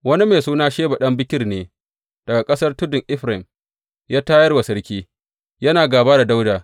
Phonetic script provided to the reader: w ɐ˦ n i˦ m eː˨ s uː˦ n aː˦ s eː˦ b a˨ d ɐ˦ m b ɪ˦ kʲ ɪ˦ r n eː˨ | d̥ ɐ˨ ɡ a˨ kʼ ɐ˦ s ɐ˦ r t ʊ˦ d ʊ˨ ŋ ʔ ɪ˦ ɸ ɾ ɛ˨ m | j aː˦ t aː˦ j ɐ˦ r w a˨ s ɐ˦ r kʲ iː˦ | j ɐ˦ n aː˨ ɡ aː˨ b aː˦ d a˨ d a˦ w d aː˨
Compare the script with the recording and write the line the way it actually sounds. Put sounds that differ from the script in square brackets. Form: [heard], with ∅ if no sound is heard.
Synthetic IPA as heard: w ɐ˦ n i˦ m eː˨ s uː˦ n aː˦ [ʃ] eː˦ b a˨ [ɗ] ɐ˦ m b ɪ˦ kʲ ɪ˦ r n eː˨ | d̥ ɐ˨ ɡ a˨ kʼ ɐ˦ s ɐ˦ r t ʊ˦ d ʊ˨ ŋ ʔ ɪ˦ ɸ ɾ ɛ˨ m | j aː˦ t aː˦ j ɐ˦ r w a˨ s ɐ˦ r kʲ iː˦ | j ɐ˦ n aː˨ ɡ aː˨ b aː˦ d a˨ d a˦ w d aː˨